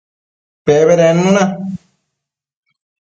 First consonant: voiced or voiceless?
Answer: voiceless